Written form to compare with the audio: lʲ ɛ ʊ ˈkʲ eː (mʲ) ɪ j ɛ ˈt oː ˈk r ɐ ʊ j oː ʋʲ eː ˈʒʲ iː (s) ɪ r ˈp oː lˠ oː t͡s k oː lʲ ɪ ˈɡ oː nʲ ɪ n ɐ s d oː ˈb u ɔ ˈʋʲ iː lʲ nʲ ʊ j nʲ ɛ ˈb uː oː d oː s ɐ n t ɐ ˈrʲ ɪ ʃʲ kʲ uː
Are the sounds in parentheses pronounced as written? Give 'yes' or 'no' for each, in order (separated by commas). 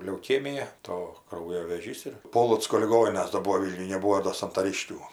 yes, yes